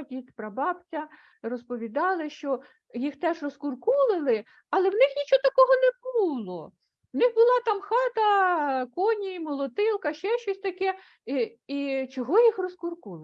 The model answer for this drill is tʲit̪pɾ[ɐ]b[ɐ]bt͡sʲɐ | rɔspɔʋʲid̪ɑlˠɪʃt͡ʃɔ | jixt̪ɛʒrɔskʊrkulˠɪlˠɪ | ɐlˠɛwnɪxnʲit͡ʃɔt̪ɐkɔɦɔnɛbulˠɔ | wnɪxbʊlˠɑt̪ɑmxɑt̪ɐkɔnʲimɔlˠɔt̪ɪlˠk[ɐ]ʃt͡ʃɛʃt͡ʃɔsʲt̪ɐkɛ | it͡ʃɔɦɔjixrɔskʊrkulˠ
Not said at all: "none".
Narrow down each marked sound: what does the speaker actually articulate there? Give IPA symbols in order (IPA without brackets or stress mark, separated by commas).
ɐ, ɑ, ɐ